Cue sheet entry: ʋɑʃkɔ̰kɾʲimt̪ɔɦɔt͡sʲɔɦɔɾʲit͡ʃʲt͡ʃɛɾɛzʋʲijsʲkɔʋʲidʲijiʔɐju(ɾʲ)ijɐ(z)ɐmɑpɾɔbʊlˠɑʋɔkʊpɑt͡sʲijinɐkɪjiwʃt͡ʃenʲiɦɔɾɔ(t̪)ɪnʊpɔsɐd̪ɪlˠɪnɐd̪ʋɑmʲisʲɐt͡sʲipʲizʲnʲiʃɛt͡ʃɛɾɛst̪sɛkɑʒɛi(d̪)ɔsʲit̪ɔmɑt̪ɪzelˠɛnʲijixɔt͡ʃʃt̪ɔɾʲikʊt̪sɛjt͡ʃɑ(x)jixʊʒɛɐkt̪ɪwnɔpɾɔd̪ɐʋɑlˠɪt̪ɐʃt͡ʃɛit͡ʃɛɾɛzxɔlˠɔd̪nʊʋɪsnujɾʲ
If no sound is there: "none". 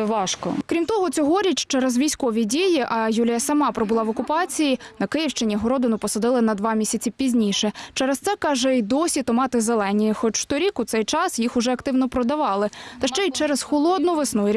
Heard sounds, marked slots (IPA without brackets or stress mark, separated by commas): lʲ, s, d̪, d̪, s